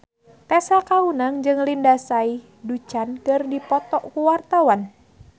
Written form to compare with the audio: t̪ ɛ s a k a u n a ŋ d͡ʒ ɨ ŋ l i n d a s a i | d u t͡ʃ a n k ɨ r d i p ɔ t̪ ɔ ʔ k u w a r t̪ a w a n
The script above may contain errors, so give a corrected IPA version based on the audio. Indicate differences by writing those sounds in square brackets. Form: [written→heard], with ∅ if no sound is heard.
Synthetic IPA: t̪ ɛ s a k a u n a ŋ d͡ʒ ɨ ŋ l i n d a s a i | d u t͡ʃ a n k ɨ r d i p ɔ t̪ ɔ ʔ k u w a r t̪ a w a n